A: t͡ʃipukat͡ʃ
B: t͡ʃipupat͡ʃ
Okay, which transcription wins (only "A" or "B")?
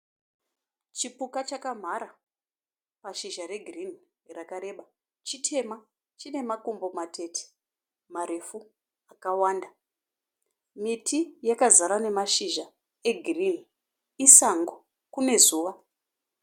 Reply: A